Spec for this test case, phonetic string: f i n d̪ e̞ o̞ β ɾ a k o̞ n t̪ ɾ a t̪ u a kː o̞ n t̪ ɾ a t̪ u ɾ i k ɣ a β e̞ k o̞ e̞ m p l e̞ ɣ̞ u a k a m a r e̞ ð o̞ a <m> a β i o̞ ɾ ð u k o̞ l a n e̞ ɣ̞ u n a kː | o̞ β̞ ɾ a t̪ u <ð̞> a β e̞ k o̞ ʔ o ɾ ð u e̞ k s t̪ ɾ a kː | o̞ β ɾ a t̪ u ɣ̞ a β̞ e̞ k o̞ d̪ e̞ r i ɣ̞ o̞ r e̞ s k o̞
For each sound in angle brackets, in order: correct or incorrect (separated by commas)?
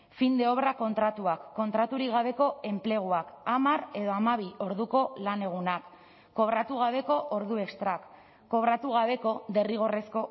correct, incorrect